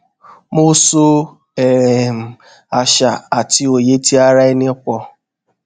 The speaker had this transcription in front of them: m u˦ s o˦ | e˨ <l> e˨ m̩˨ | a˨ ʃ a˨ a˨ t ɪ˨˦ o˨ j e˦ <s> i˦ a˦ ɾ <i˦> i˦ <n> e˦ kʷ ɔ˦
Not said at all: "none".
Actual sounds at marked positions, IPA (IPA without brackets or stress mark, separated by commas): ɾ, t, a˦, n